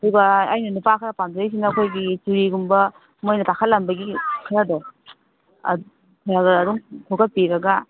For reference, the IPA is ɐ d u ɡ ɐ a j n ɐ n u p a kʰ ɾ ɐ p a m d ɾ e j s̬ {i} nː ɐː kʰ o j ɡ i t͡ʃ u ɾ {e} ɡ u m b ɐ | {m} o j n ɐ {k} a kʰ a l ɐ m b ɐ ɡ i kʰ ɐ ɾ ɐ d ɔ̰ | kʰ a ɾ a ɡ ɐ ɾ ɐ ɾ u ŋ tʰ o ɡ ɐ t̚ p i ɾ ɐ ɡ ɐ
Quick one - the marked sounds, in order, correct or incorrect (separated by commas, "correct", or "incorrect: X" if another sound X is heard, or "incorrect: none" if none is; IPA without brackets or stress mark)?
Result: correct, incorrect: i, correct, incorrect: t